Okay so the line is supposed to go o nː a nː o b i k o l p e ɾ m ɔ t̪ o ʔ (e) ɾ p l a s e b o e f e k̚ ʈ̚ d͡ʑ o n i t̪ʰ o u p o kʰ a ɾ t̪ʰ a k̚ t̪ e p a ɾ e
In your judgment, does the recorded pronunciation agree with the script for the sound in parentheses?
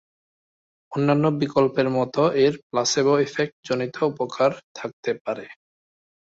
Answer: yes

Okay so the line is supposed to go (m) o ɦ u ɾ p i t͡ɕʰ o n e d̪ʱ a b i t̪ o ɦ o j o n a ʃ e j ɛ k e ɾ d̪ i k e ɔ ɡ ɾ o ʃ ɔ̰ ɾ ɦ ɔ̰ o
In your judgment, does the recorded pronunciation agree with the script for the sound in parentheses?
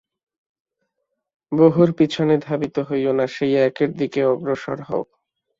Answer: no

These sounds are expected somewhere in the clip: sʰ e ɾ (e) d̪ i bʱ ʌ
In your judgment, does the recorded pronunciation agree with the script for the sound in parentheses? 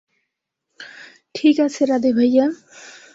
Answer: no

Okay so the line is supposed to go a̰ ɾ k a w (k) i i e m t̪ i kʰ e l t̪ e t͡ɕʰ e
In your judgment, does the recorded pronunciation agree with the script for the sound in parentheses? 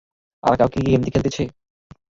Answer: yes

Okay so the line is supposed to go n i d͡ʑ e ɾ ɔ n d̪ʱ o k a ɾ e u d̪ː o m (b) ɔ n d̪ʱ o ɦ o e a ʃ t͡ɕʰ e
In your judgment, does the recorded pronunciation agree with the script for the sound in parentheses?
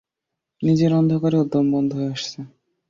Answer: yes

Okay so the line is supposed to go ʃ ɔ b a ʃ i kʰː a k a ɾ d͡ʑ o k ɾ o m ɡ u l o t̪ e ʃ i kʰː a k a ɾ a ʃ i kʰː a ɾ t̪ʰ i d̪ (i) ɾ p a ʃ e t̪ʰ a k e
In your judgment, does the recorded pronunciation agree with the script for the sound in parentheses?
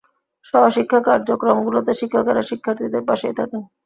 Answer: no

